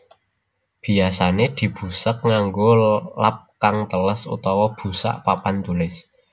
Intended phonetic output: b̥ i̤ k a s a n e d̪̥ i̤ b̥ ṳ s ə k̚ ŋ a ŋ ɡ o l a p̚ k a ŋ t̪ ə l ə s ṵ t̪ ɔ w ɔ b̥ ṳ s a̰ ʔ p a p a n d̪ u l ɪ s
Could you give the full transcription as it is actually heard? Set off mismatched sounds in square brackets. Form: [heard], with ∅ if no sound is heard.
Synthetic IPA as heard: b̥ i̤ [∅] a s a n e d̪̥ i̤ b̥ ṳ s ə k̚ ŋ a ŋ ɡ o l a p̚ k a ŋ t̪ ə l ə s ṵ t̪ ɔ w ɔ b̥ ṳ s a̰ ʔ p a p a n [t̪] u l ɪ s